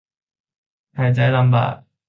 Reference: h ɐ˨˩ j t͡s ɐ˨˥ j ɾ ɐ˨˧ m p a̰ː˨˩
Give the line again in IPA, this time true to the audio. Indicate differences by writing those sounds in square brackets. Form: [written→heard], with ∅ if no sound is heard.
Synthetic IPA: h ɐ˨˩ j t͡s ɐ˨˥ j [ɾ→l] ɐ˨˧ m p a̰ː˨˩